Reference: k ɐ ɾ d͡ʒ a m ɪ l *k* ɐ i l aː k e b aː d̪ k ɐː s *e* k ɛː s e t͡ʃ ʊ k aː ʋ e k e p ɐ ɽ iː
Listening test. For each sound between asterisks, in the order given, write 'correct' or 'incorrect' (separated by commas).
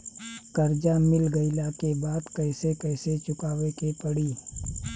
incorrect, correct